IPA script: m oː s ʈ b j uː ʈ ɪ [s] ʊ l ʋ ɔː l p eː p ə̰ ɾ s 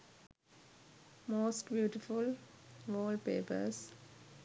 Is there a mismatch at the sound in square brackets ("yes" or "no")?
yes